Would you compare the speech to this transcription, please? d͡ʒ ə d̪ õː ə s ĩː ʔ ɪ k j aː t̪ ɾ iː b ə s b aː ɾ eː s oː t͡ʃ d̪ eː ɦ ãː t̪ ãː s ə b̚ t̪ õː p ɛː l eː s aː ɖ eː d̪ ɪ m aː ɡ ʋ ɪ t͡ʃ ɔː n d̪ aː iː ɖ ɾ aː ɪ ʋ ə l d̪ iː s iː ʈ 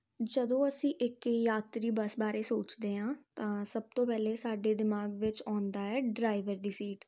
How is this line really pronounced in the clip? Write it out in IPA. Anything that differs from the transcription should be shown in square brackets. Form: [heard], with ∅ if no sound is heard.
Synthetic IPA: d͡ʒ ə d̪ õː ə s ĩː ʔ ɪ k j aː t̪ ɾ iː b ə s b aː ɾ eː s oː t͡ʃ d̪ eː ɦ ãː t̪ ãː s ə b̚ t̪ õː p ɛː l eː s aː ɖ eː d̪ ɪ m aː ɡ ʋ ɪ t͡ʃ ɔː n d̪ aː [ɛː] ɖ ɾ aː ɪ ʋ ə [ɾ] d̪ iː s iː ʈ

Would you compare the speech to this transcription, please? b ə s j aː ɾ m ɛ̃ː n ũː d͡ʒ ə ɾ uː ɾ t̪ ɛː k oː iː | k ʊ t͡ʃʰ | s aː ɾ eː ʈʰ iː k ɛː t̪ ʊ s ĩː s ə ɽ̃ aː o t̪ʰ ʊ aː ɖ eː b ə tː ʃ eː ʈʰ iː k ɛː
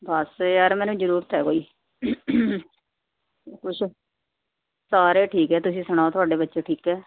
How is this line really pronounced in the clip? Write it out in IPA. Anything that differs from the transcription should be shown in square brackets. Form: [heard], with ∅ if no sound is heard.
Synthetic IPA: b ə s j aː ɾ m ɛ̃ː n ũː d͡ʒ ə ɾ uː ɾ t̪ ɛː k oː iː | k ʊ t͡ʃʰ | s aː ɾ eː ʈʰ iː k ɛː t̪ ʊ s ĩː s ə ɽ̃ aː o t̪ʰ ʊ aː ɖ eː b ə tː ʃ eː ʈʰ iː k ɛː

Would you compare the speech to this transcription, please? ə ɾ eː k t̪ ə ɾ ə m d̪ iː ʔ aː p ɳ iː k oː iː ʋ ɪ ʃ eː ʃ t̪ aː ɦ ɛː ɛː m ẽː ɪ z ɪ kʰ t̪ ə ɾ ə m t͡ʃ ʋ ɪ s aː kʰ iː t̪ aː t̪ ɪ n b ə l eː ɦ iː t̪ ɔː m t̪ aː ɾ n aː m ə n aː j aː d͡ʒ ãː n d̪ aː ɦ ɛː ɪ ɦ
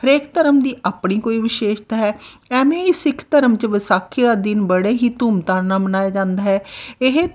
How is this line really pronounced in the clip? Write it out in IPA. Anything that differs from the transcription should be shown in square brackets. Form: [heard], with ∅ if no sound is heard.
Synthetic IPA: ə ɾ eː k t̪ ə ɾ ə m d̪ iː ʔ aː p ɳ iː k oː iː ʋ ɪ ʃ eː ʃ t̪ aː ɦ ɛː ɛː m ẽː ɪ [s] ɪ kʰ t̪ ə ɾ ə m t͡ʃ ʋ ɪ s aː kʰ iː [d̪] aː [d̪] ɪ n b ə [ɽ] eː ɦ iː t̪ [uː] m t̪ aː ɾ n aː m ə n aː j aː d͡ʒ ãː n d̪ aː ɦ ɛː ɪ ɦ

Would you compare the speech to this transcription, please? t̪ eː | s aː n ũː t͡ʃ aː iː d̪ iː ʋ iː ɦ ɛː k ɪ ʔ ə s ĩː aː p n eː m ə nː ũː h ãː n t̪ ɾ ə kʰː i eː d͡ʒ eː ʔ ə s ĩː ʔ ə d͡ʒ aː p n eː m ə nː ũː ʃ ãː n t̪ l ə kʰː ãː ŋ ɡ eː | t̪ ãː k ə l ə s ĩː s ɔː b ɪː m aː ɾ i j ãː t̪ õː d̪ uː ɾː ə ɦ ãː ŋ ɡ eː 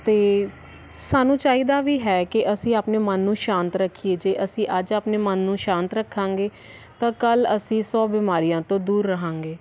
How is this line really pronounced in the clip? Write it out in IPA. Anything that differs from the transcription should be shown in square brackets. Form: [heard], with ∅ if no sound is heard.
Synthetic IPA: t̪ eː | s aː n ũː t͡ʃ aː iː d̪ [aː] ʋ iː ɦ ɛː k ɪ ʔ ə s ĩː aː p n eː m ə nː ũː [ʃ] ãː n t̪ ɾ ə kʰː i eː d͡ʒ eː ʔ ə s ĩː ʔ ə d͡ʒ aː p n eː m ə nː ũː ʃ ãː n t̪ [ɾ] ə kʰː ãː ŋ ɡ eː | t̪ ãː k ə l ə s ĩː s ɔː b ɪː m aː ɾ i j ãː t̪ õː d̪ uː ɾː ə ɦ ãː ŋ ɡ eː

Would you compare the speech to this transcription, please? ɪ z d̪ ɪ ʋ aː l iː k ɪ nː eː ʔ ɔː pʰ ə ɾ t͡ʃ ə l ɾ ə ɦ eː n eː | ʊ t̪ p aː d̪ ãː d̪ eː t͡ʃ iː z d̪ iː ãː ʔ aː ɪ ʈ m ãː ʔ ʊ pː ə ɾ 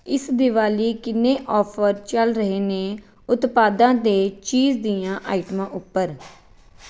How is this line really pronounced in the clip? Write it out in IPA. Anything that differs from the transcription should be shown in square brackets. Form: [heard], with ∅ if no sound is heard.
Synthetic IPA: ɪ [s] d̪ ɪ ʋ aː l iː k ɪ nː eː ʔ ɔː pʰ ə ɾ t͡ʃ ə l ɾ ə ɦ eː n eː | ʊ t̪ p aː d̪ ãː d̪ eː t͡ʃ iː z d̪ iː ãː ʔ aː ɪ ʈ m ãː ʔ ʊ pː ə ɾ

